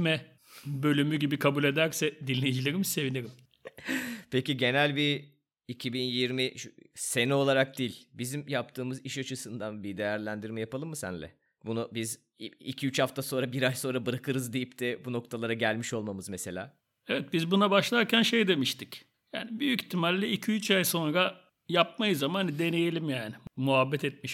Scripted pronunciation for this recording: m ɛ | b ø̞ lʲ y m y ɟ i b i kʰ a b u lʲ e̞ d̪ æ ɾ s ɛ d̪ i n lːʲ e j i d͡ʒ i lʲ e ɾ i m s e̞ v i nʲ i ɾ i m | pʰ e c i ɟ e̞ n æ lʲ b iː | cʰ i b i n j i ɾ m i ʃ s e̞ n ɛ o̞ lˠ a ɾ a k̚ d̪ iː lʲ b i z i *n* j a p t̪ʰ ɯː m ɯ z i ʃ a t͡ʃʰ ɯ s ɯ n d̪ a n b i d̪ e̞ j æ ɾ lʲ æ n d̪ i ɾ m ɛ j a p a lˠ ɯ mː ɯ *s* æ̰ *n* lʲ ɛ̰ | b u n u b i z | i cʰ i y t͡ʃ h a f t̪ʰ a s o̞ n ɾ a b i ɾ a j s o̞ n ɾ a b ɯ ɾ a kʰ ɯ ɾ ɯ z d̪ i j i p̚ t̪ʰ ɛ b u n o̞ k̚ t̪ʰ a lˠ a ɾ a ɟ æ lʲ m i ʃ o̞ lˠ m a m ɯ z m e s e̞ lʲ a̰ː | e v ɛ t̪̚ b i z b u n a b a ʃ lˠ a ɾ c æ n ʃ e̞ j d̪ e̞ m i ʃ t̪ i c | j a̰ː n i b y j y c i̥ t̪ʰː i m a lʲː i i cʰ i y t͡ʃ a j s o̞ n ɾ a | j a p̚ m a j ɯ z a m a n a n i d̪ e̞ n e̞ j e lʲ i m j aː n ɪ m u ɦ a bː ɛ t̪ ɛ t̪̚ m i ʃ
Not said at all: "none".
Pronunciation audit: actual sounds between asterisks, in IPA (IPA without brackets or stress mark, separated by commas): m, s, n